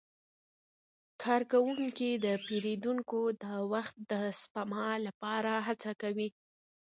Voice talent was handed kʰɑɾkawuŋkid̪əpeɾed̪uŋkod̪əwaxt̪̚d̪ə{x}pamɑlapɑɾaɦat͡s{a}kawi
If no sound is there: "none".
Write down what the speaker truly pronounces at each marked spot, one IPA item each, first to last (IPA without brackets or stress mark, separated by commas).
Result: s, a